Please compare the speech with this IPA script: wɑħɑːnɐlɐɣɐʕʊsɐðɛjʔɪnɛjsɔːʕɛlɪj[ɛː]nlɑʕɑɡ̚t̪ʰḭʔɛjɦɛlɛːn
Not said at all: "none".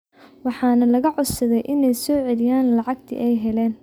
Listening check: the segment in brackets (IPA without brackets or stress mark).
aː